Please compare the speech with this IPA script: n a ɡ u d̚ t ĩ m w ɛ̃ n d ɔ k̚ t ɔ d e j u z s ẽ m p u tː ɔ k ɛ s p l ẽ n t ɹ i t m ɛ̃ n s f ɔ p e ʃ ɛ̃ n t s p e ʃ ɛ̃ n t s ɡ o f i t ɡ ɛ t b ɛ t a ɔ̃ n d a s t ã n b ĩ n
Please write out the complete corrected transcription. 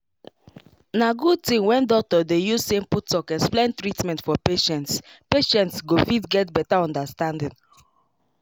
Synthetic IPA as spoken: n a ɡ u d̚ t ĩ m w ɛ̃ n d ɔ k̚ t ɔ d e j u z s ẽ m p u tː ɔ k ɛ s p l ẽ n t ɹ i t m ɛ̃ n t f ɔ p e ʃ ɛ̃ n t s p e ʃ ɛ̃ n t s ɡ o f i t ɡ ɛ t b ɛ t a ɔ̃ n d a s t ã n d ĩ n